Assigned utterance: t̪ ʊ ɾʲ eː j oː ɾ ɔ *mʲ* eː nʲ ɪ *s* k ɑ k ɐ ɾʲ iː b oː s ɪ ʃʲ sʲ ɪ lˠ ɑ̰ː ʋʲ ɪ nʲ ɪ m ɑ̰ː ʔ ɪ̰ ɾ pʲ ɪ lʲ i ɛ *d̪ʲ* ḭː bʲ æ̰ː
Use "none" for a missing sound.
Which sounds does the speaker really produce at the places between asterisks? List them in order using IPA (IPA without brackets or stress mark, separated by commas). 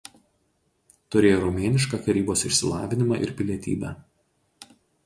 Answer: mʲ, ʃ, t̪ʲ